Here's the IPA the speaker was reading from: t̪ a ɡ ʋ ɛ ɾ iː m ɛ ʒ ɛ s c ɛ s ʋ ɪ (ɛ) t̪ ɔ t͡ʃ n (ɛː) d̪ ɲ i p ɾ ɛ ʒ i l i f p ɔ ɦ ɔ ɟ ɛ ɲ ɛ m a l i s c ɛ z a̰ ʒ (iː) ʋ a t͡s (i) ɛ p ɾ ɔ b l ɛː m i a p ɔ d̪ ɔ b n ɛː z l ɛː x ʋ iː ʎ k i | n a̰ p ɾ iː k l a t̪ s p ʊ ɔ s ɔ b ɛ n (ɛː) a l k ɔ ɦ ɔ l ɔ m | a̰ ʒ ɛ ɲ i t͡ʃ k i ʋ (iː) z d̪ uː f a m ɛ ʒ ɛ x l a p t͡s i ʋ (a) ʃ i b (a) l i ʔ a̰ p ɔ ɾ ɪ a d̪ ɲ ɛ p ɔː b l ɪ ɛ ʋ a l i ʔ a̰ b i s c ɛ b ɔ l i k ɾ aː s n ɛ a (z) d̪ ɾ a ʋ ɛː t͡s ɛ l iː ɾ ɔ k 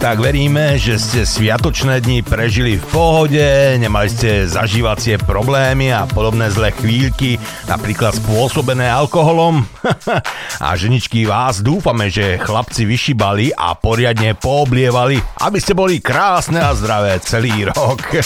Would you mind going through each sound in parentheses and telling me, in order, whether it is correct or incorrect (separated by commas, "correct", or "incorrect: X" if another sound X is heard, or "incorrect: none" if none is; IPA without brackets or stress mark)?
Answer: incorrect: a, correct, correct, incorrect: ɪ, correct, incorrect: aː, incorrect: i, correct, correct